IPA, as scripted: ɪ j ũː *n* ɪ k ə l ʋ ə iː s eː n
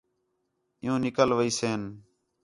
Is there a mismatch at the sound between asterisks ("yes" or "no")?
no